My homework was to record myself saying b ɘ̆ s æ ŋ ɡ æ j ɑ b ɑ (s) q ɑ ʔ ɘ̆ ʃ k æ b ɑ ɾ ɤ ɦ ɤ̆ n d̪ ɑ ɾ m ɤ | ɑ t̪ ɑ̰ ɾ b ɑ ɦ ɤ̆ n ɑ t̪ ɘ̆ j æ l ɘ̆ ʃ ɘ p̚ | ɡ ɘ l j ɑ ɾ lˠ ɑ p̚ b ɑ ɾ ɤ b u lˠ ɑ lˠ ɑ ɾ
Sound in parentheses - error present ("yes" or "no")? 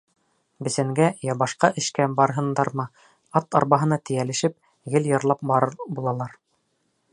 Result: yes